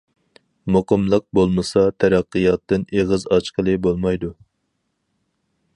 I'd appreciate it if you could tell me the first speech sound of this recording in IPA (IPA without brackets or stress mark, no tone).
m